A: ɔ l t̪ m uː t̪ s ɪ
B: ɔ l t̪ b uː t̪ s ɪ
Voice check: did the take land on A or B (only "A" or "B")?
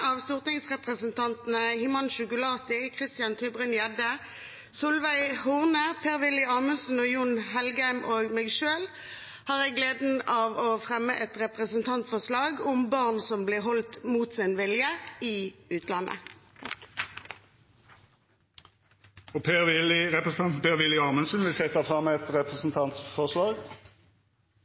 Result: A